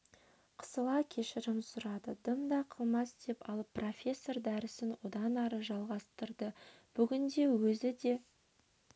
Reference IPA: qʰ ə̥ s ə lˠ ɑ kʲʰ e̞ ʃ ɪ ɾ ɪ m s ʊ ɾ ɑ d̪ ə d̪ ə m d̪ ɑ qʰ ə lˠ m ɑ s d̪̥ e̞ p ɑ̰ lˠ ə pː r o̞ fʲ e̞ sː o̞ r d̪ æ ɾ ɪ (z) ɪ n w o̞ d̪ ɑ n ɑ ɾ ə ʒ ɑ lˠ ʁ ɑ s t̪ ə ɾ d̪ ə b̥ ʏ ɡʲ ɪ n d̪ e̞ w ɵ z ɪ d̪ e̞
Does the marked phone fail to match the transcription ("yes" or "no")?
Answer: yes